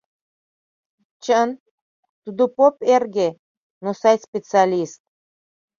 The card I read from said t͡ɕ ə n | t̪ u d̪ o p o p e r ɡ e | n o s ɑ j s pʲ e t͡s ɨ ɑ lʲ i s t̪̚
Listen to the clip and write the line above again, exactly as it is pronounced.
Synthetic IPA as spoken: t͡ɕ ə n | t̪ u d̪ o p o p e r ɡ e | n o s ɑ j s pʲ e t͡s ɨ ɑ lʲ i s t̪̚